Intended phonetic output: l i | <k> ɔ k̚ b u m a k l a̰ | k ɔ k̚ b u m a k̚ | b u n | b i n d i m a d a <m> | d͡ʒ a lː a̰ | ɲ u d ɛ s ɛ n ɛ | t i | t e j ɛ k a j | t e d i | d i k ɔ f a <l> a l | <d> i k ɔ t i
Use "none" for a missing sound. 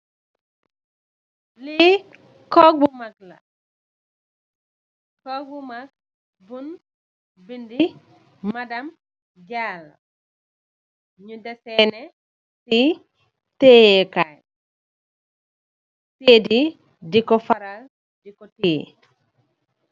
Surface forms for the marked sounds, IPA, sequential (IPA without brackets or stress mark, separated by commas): k, m, ɾ, d